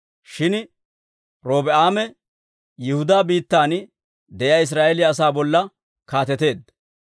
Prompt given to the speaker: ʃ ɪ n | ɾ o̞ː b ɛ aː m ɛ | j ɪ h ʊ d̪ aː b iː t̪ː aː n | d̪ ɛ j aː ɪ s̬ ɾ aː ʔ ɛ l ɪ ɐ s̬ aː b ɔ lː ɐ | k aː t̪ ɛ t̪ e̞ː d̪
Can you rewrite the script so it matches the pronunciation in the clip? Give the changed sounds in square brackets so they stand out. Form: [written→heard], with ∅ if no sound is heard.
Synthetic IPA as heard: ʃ ɪ n | ɾ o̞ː b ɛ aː m ɛ | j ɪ h ʊ d̪ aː b iː t̪ː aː n | d̪ ɛ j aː ɪ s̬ ɾ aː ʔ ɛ l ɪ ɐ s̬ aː b ɔ lː ɐ | k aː t̪ ɛ t̪ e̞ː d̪